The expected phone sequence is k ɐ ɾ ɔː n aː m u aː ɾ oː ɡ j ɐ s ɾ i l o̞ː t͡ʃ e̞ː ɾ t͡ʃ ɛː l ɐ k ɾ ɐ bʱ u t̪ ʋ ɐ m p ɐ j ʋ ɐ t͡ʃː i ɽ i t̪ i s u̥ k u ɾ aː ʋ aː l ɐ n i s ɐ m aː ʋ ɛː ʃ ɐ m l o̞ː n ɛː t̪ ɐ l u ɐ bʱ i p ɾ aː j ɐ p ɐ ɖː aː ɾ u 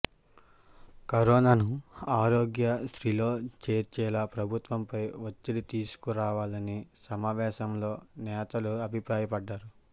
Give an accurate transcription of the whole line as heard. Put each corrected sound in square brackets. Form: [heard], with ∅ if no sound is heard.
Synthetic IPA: k ɐ ɾ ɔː n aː [n] u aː ɾ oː ɡ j ɐ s ɾ i l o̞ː t͡ʃ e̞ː ɾ t͡ʃ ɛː l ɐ [p] ɾ ɐ bʱ u t̪ ʋ ɐ m p ɐ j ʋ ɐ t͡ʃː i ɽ i t̪ [iː] s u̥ k u ɾ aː ʋ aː l ɐ n i s ɐ m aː ʋ ɛː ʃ ɐ m l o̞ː n ɛː t̪ ɐ l u ɐ bʱ i p ɾ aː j ɐ p ɐ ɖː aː ɾ u